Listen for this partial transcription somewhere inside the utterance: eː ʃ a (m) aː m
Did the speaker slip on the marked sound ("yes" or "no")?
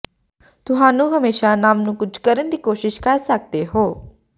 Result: yes